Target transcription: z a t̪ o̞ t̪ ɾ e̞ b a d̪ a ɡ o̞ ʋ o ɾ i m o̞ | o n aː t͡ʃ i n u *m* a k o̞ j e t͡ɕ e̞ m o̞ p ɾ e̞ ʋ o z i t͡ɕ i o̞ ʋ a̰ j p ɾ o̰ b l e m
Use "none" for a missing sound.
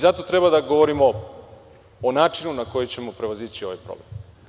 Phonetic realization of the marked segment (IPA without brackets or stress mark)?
n